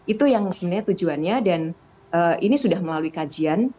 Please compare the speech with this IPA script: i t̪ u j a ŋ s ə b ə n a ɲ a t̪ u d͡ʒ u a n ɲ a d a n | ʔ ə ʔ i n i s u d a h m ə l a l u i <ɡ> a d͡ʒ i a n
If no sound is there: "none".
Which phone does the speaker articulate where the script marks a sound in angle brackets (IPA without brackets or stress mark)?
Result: k